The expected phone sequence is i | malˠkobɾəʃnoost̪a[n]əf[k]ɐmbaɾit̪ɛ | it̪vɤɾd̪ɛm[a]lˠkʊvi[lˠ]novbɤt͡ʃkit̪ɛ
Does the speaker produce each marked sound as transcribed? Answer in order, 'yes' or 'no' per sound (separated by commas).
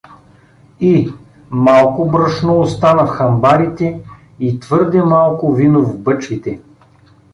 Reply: yes, no, yes, no